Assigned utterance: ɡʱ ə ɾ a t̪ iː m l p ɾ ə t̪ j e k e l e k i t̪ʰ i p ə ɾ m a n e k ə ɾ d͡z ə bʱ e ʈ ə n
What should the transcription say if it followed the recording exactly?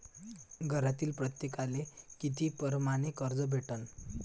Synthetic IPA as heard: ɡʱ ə ɾ a t̪ iː l p ɾ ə t̪ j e k a l e k i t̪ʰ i p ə ɾ m a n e k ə ɾ d͡z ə bʱ e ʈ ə n